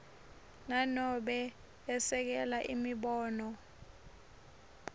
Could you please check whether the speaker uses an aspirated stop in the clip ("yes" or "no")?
no